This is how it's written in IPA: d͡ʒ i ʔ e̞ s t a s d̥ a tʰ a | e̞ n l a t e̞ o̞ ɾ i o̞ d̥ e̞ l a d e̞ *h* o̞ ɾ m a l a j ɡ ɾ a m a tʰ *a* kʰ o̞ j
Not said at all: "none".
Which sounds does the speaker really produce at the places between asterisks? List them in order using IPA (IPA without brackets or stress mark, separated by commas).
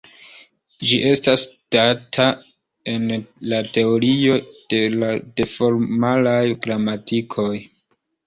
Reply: f, i